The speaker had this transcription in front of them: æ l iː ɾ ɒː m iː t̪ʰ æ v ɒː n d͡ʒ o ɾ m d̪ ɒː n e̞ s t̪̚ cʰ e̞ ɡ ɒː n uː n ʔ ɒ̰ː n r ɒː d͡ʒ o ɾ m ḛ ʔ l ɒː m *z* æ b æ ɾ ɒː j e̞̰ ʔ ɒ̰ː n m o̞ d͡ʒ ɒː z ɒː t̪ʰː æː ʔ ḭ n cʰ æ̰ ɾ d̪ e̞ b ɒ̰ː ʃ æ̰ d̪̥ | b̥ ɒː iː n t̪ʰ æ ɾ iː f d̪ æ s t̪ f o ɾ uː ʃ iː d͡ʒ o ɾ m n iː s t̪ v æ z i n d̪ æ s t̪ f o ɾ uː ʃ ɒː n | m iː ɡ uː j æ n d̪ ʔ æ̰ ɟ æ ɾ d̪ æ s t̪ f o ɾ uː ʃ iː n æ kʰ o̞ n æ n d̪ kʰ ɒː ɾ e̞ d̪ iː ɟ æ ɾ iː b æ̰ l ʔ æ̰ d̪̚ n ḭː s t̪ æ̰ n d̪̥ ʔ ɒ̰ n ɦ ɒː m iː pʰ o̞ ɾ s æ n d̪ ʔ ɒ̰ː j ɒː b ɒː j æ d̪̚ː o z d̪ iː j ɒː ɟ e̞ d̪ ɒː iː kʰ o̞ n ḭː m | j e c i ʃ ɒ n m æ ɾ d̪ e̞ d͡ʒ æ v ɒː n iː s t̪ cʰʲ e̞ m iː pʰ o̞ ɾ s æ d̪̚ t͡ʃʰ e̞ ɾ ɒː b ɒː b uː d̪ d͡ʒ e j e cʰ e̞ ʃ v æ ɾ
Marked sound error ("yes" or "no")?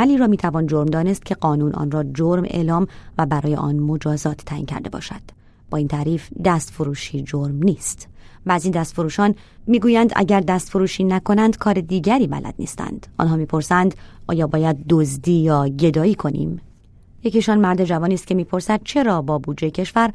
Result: yes